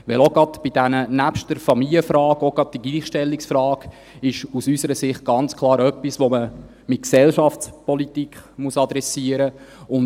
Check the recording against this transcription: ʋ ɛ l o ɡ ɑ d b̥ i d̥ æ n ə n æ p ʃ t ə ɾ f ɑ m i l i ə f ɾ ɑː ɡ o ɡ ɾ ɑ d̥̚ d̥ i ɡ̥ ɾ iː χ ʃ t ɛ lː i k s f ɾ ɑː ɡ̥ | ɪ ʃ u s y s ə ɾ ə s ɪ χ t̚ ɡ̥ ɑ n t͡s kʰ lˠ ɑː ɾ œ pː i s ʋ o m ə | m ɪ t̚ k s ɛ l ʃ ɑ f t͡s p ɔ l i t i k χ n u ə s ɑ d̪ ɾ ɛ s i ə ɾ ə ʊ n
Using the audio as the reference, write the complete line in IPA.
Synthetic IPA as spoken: ʋ ɛ l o ɡ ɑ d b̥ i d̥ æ n ə n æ p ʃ t ə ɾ f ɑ m i l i ə f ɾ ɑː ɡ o ɡ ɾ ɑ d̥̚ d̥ i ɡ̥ l iː χ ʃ t ɛ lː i k s f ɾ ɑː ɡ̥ | ɪ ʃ u s y s ə ɾ ə s ɪ χ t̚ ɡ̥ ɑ n t͡s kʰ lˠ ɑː ɾ œ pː i s ʋ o m ə | m ɪ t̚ k s ɛ l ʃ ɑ f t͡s p ɔ l i t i k χ m u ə s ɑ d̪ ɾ ɛ s i ə ɾ ə ʊ n